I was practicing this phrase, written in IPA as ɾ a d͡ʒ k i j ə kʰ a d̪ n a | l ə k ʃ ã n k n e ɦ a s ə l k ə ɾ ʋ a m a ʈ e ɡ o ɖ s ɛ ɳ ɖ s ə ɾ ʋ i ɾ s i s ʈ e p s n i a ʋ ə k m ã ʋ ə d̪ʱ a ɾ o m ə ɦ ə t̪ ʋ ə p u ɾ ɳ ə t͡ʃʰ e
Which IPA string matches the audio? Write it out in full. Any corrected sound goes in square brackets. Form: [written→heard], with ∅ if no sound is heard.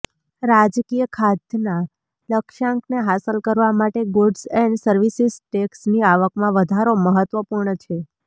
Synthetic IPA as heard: ɾ a d͡ʒ k i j ə kʰ a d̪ n a | l ə k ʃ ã [n→ŋ] k n e ɦ a s ə l k ə ɾ ʋ a m a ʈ e ɡ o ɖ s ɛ ɳ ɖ s ə ɾ ʋ i [ɾ→∅] s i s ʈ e [p→k] s n i a ʋ ə k m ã ʋ ə d̪ʱ a ɾ o m ə ɦ ə t̪ ʋ ə p u ɾ ɳ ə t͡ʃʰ e